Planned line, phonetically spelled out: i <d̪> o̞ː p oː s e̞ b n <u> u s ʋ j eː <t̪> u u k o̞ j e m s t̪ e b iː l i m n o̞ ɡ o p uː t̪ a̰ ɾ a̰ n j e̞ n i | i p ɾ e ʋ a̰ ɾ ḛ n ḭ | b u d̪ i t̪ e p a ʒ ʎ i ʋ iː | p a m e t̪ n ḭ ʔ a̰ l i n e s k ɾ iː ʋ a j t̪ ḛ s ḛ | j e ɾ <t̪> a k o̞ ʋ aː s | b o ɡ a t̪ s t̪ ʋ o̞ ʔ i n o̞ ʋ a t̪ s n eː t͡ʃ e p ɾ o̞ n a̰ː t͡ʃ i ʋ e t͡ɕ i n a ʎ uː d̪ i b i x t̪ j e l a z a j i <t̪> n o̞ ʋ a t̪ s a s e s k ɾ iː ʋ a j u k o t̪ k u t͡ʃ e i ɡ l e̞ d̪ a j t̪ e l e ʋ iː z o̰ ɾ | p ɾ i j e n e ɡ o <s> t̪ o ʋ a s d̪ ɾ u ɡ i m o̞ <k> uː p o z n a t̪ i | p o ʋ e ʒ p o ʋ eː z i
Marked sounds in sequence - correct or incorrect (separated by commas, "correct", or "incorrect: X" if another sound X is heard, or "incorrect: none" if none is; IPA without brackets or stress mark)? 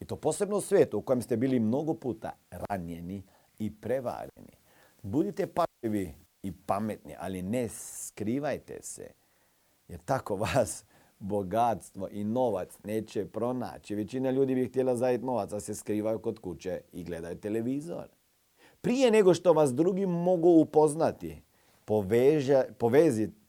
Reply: incorrect: t̪, incorrect: o, correct, correct, correct, incorrect: ʃ, incorrect: ɡ